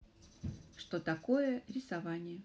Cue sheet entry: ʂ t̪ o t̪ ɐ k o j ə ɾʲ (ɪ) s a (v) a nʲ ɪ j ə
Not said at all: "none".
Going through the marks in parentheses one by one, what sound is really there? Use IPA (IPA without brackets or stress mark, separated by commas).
ɪ, v